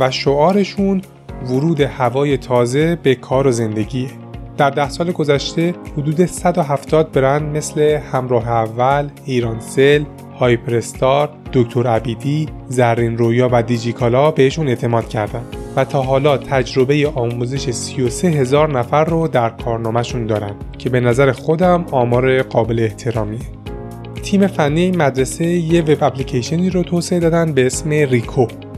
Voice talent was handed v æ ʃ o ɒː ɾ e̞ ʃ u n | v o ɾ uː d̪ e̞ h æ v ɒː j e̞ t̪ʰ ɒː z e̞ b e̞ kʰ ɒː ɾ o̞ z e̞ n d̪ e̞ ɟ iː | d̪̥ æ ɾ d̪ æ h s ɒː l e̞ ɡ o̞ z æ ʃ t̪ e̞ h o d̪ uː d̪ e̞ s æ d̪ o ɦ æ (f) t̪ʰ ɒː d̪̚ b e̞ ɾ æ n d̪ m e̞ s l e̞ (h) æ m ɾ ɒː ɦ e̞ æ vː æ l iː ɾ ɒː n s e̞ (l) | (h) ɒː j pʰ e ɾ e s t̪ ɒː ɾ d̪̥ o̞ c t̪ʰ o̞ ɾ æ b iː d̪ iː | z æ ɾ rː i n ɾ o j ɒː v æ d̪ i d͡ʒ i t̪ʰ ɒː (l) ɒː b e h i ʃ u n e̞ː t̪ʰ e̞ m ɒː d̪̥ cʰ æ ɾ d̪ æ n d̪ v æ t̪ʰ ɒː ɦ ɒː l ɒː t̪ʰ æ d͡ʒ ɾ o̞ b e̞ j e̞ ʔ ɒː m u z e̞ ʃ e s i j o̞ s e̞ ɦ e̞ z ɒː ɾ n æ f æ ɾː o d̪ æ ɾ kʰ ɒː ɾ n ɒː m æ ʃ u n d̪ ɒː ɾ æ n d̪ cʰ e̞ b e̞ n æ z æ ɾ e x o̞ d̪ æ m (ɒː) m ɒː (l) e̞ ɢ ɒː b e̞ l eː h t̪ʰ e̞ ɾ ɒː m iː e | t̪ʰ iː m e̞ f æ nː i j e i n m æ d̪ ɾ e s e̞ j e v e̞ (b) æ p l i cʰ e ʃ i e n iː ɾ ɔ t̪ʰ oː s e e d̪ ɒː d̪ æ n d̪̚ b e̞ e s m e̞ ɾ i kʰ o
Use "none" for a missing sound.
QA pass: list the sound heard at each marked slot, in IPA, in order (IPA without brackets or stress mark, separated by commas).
f, h, l, h, l, ɒː, ɾ, b